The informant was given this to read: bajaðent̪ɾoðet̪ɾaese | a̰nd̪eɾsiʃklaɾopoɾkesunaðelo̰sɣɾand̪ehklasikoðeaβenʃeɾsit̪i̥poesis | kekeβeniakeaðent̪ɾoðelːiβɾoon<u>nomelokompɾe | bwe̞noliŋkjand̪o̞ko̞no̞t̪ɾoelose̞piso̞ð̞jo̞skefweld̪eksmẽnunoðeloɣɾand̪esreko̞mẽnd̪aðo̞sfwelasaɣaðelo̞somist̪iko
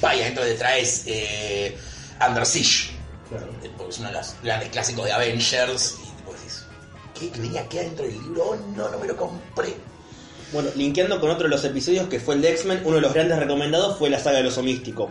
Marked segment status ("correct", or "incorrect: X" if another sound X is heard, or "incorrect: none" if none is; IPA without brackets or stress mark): incorrect: o